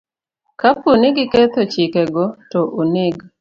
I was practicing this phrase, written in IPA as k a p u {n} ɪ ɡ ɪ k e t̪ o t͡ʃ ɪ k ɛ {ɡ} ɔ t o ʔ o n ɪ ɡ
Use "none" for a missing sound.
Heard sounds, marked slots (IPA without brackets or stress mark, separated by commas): n, ɡ